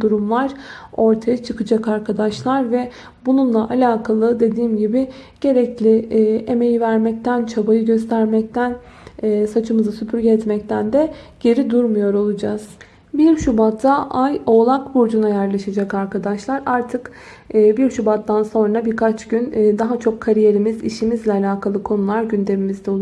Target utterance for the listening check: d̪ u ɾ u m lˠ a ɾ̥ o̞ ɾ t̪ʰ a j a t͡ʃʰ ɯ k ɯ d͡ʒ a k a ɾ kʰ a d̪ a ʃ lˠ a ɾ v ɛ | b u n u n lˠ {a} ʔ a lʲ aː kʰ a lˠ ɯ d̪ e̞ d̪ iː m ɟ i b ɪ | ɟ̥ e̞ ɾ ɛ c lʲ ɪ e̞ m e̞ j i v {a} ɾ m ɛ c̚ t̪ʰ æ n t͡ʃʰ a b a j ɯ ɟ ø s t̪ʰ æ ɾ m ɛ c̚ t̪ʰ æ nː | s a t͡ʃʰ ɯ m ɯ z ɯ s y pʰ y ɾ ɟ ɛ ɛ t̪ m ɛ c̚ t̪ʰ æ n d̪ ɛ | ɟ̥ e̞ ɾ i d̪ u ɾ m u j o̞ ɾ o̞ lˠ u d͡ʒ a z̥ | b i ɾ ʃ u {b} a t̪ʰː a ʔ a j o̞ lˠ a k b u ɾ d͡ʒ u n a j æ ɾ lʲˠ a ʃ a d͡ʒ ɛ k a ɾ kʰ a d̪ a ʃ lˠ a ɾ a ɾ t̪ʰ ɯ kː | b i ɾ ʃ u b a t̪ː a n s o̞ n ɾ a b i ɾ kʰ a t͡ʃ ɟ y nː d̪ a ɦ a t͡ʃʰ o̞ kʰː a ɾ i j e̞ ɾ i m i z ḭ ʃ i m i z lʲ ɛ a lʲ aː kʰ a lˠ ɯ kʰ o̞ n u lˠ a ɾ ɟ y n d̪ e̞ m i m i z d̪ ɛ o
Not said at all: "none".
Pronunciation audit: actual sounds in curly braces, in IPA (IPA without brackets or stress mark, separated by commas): a, æ, b